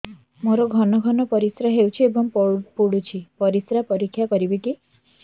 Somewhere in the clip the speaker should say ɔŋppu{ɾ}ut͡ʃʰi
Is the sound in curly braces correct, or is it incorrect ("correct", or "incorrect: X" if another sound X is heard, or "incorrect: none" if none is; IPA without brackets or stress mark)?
incorrect: ɽ